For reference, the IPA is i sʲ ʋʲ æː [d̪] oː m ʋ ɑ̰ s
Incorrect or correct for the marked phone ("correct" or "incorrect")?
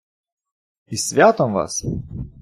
incorrect